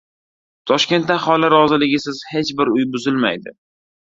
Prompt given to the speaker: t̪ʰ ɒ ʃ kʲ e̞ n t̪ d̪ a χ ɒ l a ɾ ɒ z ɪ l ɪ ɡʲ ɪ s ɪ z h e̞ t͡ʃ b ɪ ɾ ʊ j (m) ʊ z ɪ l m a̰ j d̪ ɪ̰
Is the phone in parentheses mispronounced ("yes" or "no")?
yes